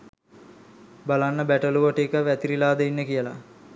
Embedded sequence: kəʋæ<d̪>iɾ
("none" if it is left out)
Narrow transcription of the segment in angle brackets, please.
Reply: t̪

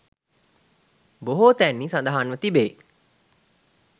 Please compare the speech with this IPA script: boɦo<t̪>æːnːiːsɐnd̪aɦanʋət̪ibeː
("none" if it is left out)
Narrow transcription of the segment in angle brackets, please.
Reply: t̪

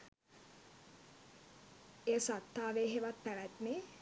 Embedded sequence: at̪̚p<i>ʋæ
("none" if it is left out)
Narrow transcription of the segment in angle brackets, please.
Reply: æ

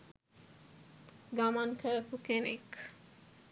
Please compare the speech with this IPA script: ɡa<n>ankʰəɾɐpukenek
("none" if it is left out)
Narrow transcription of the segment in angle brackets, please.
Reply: m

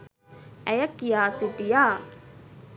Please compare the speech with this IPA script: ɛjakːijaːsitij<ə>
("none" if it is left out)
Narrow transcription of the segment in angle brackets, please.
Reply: a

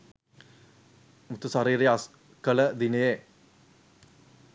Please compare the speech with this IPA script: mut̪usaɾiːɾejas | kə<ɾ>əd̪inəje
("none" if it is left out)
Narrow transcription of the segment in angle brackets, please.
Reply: l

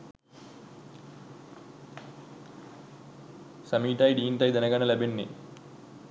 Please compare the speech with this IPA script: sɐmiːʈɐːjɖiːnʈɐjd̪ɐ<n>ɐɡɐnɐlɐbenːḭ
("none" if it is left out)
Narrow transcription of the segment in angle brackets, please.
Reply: n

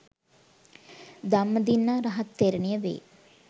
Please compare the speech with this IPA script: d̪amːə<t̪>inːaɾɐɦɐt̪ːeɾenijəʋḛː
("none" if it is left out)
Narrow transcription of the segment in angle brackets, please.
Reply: d̪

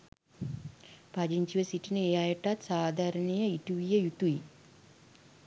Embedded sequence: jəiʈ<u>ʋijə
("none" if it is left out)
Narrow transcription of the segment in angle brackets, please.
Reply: u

